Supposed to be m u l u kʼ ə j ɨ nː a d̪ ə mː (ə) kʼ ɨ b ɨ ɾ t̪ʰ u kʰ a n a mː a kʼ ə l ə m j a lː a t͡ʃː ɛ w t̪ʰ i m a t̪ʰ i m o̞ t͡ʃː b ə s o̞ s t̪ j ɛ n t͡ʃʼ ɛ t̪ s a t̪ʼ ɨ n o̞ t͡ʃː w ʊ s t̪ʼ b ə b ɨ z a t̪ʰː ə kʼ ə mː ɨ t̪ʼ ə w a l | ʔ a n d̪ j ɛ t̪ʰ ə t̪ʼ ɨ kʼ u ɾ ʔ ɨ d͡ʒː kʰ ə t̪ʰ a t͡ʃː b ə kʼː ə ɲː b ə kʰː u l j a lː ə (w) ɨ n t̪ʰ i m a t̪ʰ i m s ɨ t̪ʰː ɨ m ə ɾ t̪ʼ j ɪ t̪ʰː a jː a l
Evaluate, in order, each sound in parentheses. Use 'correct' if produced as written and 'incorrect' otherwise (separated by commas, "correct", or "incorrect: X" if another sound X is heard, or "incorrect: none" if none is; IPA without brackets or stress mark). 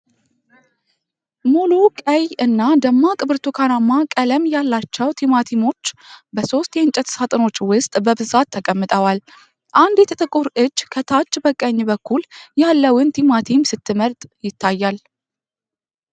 incorrect: a, correct